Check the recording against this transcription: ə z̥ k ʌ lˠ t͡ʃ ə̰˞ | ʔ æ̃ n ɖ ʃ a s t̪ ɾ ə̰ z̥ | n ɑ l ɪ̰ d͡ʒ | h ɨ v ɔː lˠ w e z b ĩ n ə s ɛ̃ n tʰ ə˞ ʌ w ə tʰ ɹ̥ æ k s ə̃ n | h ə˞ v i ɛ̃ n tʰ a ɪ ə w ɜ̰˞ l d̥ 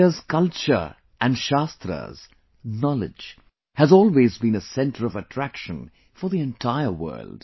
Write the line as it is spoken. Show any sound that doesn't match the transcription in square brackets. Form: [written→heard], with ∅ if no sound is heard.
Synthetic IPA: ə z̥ k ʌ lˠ t͡ʃ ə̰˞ | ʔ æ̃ n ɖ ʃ a s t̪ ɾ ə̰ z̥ | n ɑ l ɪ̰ d͡ʒ | h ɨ [v→z] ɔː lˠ w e z b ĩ n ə s ɛ̃ n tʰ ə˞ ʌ [w→v] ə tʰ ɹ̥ æ k [s→ʃ] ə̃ n | [h→f] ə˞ [v→ð] i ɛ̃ n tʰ a ɪ ə w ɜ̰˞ l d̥